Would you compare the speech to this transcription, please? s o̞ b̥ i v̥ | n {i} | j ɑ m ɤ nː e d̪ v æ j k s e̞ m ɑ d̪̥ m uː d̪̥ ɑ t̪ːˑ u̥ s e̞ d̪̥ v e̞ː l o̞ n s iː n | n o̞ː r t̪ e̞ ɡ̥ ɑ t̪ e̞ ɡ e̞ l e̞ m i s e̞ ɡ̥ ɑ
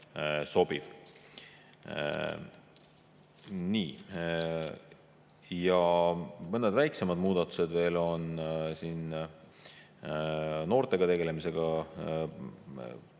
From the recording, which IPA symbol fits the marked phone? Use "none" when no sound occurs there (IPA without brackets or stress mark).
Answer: iː